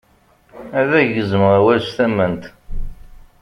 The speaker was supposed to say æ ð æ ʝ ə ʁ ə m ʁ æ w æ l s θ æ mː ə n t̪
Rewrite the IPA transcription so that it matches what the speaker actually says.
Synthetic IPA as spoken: æ ð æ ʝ ə z ə m ʁ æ w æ l s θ æ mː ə n t̪